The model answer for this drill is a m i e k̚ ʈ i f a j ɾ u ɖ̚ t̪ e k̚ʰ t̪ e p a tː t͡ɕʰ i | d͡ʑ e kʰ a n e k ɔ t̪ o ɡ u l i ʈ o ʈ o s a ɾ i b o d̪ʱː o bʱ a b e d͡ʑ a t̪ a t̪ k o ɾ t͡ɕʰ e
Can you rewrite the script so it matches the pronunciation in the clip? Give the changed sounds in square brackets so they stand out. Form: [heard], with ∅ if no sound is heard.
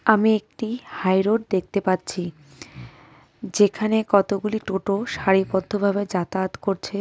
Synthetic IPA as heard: a m i e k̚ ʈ i [h] a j ɾ [o] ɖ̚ [d̪] e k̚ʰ t̪ e p a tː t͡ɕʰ i | d͡ʑ e kʰ a n e k ɔ t̪ o ɡ u l i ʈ o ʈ o [ʃ] a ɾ i [p] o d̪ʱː o bʱ a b e d͡ʑ a t̪ a t̪ k o ɾ t͡ɕʰ e